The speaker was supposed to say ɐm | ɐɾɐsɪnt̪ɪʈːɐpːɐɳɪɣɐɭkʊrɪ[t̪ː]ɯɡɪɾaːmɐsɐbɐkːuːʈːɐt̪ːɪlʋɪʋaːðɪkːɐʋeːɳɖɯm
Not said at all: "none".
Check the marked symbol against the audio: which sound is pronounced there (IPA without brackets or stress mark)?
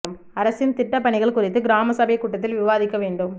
t̪ː